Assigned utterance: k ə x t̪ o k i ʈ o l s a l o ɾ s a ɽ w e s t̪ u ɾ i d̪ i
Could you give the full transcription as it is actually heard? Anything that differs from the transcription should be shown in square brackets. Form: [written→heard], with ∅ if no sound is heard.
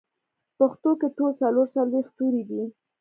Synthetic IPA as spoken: [k→p] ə x t̪ o k [i→e] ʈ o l s a l o ɾ s a [ɽ→l] w e [s→x] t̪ u ɾ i d̪ i